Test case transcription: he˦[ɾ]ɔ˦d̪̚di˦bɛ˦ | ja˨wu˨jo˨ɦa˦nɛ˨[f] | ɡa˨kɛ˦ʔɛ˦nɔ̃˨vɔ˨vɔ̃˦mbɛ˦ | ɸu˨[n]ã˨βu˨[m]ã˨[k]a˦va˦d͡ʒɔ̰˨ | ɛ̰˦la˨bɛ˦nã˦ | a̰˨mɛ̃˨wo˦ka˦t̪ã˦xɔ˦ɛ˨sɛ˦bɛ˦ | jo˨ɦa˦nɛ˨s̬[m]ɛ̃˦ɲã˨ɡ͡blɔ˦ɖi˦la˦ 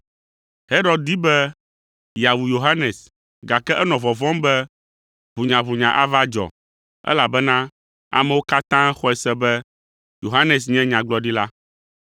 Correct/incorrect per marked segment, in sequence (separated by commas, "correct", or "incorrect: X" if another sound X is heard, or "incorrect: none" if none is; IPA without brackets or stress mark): correct, incorrect: s, incorrect: ɲ, incorrect: ɲ, incorrect: ʔ, incorrect: ɲ